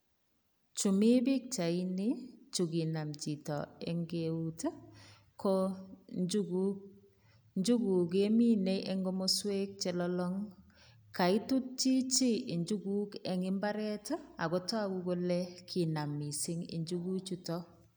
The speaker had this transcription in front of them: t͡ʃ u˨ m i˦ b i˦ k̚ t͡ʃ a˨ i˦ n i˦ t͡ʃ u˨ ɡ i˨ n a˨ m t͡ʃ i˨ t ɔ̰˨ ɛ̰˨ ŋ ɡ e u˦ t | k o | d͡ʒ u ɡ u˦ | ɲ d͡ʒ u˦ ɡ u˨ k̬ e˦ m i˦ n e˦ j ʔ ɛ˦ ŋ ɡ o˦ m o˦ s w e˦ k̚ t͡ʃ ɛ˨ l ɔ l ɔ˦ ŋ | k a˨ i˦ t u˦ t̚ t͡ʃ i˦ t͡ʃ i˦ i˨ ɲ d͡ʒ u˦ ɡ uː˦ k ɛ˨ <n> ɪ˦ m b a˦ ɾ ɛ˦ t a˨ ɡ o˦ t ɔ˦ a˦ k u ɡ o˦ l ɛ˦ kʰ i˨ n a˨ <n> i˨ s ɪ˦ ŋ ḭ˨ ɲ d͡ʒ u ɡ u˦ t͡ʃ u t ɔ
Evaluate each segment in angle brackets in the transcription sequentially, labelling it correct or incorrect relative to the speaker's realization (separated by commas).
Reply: incorrect, incorrect